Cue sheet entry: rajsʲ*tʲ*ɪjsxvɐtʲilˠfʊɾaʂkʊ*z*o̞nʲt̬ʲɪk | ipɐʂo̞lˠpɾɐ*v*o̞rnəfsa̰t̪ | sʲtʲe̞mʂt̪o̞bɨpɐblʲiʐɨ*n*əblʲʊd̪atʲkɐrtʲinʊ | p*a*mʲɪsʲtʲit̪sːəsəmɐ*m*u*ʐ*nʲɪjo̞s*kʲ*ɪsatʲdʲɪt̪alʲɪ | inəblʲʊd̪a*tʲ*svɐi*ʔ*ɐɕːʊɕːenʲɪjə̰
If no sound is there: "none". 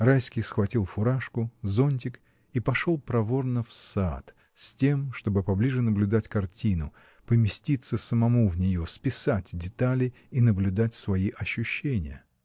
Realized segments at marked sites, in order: kʲ, z, v, n, ə, m, v, pʲ, tʲ, ʔ

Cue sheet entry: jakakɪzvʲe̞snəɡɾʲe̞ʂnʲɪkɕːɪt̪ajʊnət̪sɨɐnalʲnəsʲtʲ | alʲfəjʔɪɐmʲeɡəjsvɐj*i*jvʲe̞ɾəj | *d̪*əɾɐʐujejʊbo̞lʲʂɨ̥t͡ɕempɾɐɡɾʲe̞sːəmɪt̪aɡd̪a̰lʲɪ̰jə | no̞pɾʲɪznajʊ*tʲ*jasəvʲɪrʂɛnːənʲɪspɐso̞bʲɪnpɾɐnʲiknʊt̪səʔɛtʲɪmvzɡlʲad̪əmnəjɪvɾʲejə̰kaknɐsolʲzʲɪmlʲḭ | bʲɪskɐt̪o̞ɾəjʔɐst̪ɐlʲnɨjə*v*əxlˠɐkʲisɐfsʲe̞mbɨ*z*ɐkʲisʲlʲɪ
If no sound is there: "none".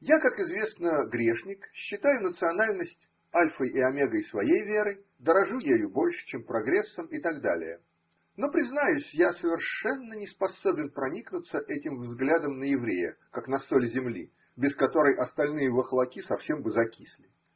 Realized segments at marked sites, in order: e, d̪, sʲ, v, z

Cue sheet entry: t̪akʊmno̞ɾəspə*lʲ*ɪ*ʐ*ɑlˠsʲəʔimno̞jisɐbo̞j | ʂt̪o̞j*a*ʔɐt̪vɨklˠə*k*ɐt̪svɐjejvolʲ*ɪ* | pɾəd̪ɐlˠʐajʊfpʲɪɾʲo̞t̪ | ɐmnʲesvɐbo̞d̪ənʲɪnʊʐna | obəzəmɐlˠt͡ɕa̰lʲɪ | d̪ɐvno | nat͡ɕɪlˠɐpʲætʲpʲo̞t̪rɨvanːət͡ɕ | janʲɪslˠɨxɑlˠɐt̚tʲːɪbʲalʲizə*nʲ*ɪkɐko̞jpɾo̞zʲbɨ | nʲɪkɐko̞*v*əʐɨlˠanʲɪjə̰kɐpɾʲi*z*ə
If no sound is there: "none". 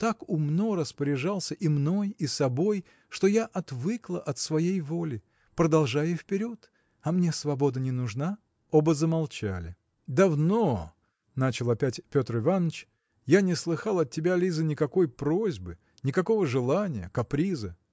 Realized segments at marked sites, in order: ɾʲ, ʐ, a, ʔ, ɪ, nʲ, v, z

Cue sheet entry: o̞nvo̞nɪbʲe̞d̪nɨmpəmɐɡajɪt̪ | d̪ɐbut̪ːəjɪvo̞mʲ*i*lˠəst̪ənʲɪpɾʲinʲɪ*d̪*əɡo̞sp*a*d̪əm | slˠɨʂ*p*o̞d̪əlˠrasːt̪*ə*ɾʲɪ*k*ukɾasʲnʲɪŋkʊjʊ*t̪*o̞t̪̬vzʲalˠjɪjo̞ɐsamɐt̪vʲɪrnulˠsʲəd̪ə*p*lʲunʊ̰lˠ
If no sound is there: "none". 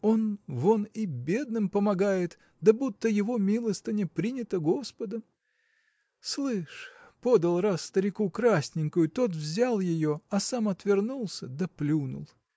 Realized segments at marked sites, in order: i, t̪, ə, p, ə, k, t̪, p

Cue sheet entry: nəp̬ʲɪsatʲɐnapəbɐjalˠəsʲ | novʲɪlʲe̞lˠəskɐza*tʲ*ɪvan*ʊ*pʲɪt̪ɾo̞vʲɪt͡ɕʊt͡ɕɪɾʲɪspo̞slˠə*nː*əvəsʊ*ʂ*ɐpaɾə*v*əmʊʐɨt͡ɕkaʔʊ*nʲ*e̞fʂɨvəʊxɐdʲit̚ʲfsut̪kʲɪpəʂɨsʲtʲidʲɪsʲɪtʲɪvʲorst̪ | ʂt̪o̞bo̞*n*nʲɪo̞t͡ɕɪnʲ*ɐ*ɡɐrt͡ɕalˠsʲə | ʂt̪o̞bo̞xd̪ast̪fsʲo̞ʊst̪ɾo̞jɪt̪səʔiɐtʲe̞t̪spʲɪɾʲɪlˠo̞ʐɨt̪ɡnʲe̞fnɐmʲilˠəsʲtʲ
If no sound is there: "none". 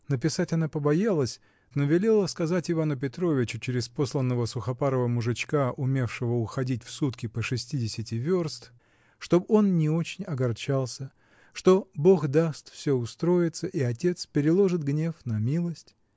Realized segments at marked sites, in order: tʲ, ʊ, nː, x, v, mʲ, n, ɐ

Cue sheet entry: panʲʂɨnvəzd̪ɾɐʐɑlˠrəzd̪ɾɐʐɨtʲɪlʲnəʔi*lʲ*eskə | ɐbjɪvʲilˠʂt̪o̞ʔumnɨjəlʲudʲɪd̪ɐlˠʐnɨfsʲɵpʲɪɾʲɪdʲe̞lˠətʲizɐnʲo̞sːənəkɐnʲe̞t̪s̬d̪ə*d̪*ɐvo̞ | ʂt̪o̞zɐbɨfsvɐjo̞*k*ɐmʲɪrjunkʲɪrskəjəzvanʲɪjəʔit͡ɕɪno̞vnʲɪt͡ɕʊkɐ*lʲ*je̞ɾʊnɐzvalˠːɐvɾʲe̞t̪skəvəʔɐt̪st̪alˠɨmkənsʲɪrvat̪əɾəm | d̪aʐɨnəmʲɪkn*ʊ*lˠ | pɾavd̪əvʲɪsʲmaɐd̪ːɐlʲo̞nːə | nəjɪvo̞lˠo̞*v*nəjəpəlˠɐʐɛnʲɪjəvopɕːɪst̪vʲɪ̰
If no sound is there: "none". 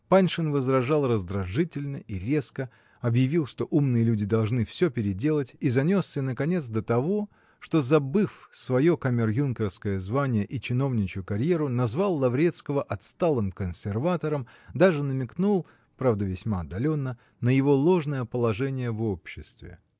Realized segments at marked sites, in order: ɾʲ, t̪, k, ɾʲ, u, ʐ

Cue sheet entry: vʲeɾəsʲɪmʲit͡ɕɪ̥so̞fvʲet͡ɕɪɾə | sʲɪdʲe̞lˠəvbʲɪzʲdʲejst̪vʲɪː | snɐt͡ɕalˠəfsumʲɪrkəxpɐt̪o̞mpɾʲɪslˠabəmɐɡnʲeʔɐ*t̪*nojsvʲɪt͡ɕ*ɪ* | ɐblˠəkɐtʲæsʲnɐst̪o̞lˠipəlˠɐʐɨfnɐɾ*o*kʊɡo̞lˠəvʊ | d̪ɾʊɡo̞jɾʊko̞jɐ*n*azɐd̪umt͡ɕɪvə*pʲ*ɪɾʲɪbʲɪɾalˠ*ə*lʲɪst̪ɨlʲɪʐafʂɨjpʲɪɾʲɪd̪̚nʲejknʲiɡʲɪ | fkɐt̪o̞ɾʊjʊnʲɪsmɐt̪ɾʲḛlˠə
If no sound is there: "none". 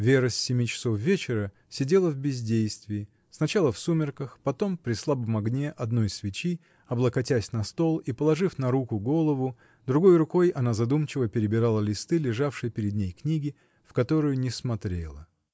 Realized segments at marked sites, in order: d̪, i, u, n, pʲ, ə

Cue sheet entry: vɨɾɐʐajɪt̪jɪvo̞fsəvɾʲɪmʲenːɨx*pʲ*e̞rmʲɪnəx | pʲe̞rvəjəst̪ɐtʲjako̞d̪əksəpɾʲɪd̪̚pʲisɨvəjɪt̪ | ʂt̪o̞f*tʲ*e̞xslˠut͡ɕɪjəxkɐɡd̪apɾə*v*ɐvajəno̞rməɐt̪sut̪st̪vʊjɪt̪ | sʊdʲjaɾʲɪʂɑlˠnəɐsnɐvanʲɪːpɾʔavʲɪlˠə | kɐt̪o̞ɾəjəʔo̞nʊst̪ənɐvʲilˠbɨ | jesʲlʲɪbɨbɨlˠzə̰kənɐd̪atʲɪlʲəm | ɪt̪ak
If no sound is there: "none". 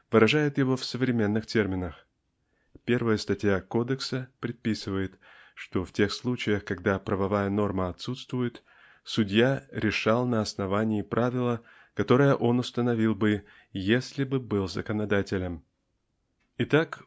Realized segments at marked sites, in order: tʲ, tʲ, v

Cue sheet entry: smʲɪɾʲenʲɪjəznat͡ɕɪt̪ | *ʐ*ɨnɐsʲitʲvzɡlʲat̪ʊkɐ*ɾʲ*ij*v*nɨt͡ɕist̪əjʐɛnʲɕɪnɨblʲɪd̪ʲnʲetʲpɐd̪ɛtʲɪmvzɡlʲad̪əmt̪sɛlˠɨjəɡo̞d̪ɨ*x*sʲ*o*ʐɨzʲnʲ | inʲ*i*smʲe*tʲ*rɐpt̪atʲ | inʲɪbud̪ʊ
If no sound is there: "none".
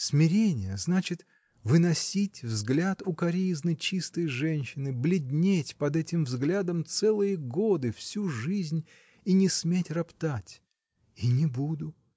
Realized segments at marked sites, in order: v, ɾʲ, z, f, u, ɪ, tʲ

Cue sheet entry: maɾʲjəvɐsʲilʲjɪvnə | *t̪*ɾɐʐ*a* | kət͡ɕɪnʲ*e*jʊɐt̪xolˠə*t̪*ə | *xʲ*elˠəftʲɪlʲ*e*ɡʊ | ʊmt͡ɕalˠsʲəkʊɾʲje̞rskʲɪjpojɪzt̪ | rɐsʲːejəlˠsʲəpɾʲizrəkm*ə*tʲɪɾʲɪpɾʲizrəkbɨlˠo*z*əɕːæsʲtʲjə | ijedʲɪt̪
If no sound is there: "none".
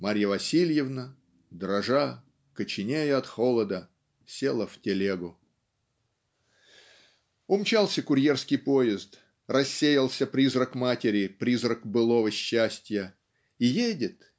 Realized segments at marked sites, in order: d̪, a, e, d̪, sʲ, e, a, v

